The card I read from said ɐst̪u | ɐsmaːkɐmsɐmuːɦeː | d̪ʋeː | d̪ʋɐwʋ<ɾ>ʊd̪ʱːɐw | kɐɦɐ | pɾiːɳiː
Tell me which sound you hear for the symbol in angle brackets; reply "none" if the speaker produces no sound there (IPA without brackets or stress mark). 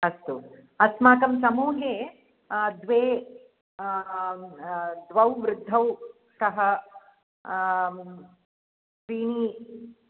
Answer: ɾ